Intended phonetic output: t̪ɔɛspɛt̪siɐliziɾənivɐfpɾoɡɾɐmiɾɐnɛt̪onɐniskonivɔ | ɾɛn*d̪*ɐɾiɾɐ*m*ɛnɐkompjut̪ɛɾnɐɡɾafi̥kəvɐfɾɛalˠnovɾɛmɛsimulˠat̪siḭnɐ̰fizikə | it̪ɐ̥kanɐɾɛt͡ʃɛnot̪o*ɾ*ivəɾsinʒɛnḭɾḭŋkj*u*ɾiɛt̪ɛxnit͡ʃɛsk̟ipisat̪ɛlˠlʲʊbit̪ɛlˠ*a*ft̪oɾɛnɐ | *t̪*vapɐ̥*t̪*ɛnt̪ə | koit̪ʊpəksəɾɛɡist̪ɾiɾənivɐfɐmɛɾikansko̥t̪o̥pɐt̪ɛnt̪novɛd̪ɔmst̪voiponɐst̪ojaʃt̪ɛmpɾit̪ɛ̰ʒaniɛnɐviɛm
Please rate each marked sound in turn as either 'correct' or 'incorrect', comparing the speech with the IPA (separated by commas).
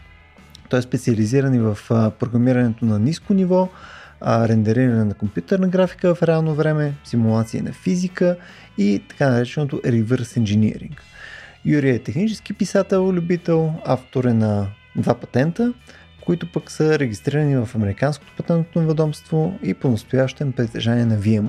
correct, incorrect, correct, correct, correct, incorrect, correct